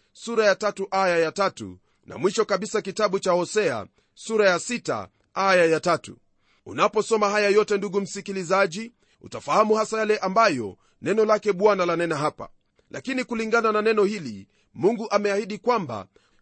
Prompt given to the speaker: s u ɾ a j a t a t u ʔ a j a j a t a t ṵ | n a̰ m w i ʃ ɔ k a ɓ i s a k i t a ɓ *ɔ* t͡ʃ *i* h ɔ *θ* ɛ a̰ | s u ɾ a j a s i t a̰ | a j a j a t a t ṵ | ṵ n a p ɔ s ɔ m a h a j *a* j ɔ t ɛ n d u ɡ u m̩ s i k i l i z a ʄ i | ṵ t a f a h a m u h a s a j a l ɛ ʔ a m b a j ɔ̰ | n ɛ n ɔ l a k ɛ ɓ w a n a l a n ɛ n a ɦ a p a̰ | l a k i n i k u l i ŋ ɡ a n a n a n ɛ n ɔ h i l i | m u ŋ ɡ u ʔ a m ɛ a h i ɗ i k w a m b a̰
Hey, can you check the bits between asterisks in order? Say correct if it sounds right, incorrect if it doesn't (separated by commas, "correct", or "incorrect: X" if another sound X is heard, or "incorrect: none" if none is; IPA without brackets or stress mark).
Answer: incorrect: u, incorrect: a, incorrect: s, correct